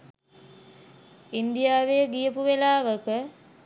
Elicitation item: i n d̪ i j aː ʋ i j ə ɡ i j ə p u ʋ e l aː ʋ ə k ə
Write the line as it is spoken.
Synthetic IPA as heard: i n d̪ i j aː ʋ e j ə ɡ i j ə p u ʋ e l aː ʋ ə k ə